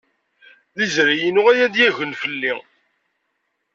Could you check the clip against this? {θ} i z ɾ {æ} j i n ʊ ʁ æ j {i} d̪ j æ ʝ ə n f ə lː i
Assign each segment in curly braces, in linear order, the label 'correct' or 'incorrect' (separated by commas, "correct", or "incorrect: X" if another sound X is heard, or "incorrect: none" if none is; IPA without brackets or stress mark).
incorrect: ð, incorrect: i, incorrect: æ